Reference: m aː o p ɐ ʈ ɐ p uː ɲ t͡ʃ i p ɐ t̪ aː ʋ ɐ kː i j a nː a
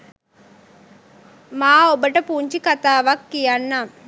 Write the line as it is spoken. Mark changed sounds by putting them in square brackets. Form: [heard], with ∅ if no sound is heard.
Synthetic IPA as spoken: m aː o [b] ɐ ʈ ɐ p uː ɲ t͡ʃ i [k] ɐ t̪ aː ʋ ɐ kː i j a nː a

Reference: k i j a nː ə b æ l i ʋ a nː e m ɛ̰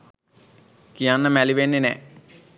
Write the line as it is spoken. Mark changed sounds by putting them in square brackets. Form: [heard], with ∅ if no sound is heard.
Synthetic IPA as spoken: k i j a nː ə [m] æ l i ʋ [e] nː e [n] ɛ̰

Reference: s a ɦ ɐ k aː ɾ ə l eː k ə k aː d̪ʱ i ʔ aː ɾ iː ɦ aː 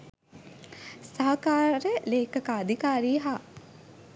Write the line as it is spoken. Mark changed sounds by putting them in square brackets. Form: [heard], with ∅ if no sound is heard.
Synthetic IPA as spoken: s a ɦ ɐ k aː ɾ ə l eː k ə k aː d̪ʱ i [k] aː ɾ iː ɦ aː

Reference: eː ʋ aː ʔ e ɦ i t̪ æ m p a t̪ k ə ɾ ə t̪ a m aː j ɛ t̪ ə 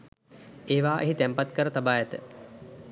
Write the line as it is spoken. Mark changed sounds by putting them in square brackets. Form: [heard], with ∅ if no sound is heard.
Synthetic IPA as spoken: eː ʋ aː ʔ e ɦ i t̪ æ m p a t̪ k ə ɾ ə t̪ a [b] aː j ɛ t̪ ə

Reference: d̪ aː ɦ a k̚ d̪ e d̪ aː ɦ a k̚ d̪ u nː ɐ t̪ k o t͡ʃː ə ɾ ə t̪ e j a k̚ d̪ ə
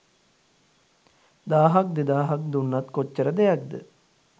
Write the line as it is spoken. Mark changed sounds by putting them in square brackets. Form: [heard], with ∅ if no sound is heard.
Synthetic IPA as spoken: d̪ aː ɦ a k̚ d̪ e d̪ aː ɦ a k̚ d̪ u nː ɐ t̪ k o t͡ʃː ə ɾ ə [d̪] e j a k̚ d̪ ə

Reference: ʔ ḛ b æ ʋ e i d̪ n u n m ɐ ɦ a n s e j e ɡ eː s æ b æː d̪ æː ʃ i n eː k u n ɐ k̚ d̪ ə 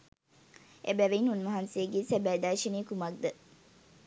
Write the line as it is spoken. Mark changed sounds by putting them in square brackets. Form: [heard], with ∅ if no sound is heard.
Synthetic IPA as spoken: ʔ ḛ b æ ʋ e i [∅] n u n m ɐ ɦ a n s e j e ɡ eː s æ b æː d̪ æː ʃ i n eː k u [m] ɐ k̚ d̪ ə

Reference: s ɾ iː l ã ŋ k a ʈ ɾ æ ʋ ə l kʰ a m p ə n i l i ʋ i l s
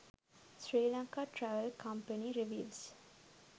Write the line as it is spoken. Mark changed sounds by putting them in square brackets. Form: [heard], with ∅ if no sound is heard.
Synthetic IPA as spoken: s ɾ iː l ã ŋ k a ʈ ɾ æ ʋ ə l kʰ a m p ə n i [ɾ] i ʋ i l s

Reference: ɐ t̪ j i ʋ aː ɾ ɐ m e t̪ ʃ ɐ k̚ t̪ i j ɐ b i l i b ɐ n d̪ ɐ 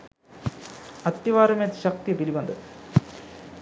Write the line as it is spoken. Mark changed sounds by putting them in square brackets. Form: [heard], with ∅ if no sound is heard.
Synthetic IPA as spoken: ɐ t̪ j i ʋ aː ɾ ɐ m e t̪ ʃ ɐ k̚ t̪ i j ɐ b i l i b ɐ n d̪ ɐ

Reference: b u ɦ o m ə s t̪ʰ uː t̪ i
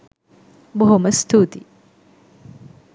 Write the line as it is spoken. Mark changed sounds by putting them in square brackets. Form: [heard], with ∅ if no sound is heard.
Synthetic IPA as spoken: b [o] ɦ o m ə s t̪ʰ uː t̪ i

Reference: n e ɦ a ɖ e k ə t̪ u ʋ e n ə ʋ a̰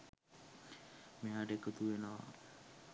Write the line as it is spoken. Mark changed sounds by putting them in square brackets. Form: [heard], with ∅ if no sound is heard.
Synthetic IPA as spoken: [m] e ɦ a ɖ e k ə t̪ u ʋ e n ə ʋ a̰

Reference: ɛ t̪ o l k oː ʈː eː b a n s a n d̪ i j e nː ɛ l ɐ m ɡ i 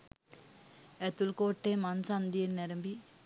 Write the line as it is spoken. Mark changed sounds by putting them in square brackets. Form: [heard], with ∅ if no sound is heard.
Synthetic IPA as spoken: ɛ t̪ [u] l k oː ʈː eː [m] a n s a n d̪ i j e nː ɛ [ɾ] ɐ m [b] i

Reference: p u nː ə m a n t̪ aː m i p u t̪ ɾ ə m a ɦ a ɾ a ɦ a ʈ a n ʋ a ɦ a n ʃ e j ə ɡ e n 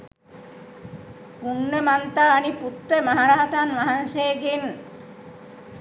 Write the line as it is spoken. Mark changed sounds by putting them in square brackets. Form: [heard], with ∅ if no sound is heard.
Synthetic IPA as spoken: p u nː ə m a n t̪ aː [n] i p u t̪ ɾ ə m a ɦ a ɾ a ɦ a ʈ a n ʋ a ɦ a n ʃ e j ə ɡ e n

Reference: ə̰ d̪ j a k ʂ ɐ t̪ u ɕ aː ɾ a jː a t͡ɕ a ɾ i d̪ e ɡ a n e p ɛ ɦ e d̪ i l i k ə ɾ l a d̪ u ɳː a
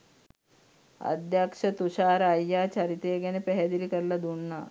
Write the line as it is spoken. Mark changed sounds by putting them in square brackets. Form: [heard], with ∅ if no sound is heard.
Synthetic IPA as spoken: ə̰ d̪ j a k ʂ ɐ t̪ u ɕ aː ɾ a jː a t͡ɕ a ɾ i [t̪] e ɡ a n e p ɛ ɦ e d̪ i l i k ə ɾ l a d̪ u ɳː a

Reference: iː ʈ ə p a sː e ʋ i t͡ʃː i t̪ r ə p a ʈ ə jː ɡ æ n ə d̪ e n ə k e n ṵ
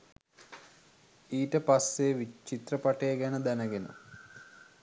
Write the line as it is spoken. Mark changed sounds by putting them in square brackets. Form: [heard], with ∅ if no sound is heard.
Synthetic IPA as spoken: iː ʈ ə p a sː e ʋ i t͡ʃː i t̪ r ə p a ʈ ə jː ɡ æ n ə d̪ [æ] n ə [ɡ] e n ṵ

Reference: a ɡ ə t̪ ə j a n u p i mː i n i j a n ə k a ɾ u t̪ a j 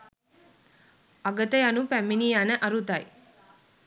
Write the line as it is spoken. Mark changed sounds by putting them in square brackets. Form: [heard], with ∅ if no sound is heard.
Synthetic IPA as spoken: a ɡ ə t̪ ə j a n u p [æ] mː i n i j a n ə [ʔ] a ɾ u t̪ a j

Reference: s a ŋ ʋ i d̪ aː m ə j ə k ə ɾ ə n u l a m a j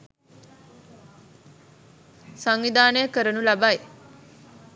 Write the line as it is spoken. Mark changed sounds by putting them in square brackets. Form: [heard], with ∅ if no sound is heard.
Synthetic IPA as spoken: s a ŋ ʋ i d̪ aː [n] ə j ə k ə ɾ ə n u l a [b] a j

